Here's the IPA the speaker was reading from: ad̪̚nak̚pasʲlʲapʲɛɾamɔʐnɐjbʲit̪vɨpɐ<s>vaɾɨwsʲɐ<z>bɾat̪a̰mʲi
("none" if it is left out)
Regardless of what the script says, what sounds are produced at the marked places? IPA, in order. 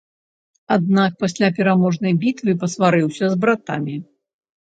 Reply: s, z

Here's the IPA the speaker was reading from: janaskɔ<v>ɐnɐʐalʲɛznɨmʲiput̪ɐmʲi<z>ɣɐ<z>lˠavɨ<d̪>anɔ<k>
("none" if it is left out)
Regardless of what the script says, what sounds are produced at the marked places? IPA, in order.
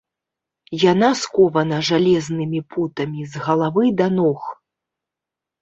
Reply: v, z, none, d̪, x

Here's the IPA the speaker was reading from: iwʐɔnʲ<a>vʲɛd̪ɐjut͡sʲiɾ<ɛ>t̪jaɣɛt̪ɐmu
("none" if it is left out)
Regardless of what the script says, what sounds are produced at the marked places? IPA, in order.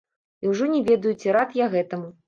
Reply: ɛ, a

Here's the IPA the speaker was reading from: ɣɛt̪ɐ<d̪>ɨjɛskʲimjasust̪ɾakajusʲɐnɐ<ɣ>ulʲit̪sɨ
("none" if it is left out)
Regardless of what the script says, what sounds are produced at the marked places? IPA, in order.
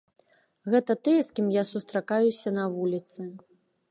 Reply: t̪, v

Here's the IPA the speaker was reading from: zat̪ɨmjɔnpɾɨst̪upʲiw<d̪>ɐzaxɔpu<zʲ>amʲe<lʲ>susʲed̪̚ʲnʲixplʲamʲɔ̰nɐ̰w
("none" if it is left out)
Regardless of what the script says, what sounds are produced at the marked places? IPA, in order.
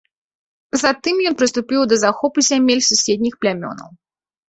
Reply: d̪, zʲ, lʲ

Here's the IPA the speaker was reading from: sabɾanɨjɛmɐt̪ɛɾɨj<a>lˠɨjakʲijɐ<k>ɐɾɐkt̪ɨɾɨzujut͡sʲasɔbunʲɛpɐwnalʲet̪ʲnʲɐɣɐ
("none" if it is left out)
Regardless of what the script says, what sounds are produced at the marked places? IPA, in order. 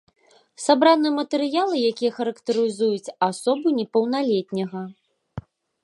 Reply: a, x

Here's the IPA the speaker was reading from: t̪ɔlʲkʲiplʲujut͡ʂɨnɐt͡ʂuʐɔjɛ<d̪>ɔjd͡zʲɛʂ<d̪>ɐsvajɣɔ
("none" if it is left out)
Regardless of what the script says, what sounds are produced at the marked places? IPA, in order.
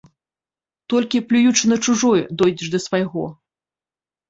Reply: d̪, d̪

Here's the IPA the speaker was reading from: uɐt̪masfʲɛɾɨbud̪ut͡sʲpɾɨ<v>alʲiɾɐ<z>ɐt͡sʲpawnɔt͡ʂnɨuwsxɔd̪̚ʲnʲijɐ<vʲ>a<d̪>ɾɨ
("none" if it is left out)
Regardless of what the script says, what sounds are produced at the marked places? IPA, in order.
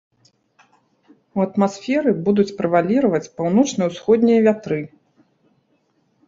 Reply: v, v, vʲ, t̪

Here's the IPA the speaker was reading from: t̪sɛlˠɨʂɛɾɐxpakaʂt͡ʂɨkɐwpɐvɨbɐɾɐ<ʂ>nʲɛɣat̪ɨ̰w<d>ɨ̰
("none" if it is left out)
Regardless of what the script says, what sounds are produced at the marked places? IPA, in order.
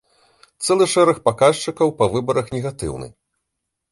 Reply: x, n

